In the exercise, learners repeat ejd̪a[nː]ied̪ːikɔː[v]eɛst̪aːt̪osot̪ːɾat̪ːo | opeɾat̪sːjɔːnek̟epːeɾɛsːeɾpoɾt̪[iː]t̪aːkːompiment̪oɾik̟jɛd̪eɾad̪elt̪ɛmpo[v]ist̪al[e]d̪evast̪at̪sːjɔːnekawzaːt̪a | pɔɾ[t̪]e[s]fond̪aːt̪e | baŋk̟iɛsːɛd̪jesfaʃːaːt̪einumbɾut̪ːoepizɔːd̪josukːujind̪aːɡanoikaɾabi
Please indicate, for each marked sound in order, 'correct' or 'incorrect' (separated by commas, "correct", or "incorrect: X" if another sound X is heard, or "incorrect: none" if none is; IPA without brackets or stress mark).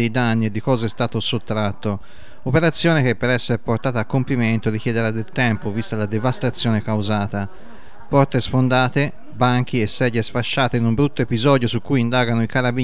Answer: correct, incorrect: z, incorrect: aː, correct, incorrect: a, correct, correct